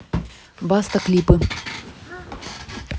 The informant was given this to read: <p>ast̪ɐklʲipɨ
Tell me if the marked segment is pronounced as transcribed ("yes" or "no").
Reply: no